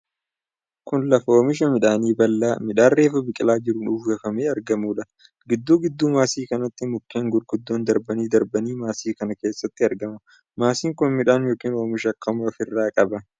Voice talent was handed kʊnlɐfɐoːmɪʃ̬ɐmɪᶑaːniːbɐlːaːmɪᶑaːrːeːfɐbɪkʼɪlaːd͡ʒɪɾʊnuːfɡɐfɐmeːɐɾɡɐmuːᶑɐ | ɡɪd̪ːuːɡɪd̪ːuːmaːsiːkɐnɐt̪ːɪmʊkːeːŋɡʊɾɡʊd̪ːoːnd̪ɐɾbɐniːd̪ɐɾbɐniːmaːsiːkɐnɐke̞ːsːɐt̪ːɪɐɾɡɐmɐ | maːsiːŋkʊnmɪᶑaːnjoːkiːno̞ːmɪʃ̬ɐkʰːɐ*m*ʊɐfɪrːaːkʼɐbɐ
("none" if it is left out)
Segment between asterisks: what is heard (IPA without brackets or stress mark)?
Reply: m